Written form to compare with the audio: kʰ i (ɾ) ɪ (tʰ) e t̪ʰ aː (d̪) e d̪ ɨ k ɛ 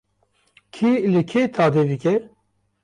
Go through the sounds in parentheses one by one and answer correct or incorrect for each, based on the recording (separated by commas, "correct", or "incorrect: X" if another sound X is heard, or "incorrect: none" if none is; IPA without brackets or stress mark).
incorrect: l, incorrect: kʰ, correct